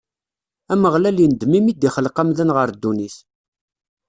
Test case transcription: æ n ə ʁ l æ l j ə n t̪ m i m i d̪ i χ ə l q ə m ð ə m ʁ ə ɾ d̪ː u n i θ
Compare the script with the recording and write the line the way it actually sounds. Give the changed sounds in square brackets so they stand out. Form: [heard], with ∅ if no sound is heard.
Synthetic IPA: æ [m] ə ʁ l æ l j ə n [d̪] m i m i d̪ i χ ə l q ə m ð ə [n] ʁ ə ɾ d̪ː u n i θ